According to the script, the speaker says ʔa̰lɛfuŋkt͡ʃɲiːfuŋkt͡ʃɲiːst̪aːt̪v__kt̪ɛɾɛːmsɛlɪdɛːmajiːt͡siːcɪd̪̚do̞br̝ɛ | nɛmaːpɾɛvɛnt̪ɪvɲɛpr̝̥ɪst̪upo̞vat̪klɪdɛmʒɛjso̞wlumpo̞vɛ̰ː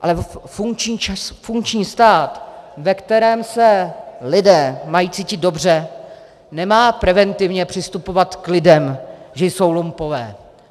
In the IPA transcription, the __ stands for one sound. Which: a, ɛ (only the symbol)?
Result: ɛ